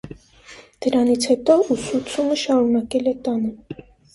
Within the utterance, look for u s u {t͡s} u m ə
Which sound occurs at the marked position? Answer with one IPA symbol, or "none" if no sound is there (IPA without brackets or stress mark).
t͡sʰ